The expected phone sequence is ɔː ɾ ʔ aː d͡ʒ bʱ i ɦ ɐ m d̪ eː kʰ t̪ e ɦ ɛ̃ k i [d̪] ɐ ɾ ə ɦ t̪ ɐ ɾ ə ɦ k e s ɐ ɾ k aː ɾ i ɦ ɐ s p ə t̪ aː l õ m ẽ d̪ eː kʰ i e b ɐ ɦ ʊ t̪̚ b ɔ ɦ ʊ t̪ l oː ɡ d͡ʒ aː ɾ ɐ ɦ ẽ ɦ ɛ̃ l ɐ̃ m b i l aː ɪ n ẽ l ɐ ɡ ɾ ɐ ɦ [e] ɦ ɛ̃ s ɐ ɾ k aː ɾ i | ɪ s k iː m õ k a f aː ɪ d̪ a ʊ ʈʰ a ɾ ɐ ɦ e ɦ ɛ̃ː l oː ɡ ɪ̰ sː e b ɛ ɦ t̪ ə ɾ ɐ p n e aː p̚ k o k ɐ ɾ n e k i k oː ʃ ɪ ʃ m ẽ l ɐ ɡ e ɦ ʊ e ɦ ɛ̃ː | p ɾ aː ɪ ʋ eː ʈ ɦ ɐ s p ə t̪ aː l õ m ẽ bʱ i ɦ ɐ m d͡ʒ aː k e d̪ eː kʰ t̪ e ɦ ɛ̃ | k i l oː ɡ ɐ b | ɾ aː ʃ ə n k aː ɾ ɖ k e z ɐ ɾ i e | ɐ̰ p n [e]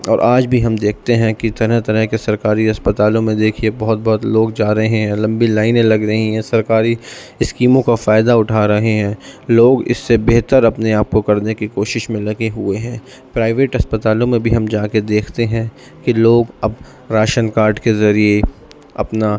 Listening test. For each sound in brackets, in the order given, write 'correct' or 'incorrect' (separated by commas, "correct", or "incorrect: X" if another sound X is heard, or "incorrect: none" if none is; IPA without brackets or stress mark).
incorrect: t̪, incorrect: i, incorrect: a